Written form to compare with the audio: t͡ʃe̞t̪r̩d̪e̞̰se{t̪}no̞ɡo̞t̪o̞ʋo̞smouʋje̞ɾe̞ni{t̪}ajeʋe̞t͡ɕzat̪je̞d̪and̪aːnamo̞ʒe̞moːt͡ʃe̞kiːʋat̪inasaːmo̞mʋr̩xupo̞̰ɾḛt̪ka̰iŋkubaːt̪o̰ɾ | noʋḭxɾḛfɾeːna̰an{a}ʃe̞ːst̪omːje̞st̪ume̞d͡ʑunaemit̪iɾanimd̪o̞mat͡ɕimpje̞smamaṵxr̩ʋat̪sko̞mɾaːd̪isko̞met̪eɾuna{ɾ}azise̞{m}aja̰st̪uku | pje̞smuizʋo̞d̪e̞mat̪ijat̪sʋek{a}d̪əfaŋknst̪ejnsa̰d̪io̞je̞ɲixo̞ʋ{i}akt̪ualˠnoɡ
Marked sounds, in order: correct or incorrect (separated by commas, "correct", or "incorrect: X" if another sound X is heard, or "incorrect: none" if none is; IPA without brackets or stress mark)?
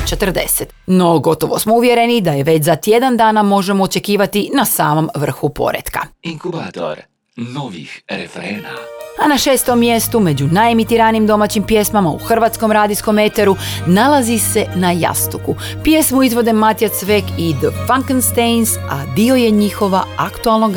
correct, incorrect: d̪, correct, incorrect: l, incorrect: n, incorrect: i, incorrect: a